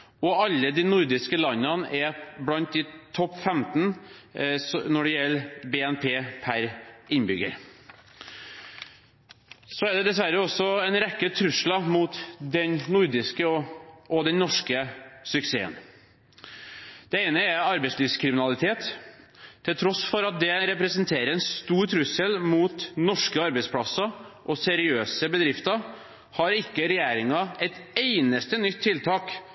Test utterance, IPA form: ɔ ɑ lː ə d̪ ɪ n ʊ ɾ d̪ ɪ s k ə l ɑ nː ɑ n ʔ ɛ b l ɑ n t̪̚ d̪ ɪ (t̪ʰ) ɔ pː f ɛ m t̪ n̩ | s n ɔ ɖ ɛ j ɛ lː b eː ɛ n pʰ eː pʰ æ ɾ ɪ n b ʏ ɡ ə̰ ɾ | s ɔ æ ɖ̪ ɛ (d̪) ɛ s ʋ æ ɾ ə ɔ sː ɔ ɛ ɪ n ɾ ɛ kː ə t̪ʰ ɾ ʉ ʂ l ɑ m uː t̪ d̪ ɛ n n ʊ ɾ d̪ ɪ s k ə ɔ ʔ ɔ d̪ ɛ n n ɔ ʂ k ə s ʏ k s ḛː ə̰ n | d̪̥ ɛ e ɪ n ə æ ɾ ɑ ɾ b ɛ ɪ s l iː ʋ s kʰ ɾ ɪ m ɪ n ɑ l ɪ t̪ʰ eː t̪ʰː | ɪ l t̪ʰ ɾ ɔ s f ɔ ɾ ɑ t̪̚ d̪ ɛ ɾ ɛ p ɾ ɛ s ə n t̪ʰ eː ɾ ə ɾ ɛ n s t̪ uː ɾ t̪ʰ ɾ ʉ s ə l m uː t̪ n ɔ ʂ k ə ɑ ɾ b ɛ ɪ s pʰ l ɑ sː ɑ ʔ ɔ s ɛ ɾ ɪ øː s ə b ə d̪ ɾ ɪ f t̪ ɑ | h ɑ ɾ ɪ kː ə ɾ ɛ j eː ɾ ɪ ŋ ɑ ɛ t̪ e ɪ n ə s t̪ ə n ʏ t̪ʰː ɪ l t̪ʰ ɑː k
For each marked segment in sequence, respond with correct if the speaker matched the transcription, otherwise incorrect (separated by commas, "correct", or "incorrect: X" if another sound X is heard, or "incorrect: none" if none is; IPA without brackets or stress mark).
correct, correct